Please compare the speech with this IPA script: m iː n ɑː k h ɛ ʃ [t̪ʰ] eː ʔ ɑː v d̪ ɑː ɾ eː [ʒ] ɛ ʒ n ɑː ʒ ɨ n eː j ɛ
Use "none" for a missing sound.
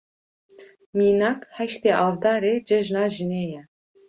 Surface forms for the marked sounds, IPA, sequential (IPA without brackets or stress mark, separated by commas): t̪, d͡ʒ